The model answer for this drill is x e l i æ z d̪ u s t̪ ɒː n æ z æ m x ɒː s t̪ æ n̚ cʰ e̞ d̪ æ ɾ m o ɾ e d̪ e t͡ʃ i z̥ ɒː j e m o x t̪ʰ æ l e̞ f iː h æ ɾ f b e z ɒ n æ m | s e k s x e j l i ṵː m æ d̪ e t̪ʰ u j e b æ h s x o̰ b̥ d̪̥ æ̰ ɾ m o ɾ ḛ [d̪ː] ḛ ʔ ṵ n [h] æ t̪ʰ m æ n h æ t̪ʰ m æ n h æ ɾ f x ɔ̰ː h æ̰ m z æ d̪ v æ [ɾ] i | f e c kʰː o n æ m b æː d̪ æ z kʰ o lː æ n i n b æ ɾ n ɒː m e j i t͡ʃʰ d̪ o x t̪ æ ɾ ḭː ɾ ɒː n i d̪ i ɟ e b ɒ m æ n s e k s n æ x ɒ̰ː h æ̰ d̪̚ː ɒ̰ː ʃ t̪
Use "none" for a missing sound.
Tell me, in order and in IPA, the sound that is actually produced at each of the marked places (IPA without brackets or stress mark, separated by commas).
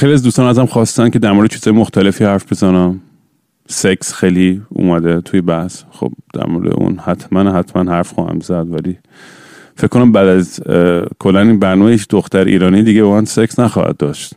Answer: d̪, h, l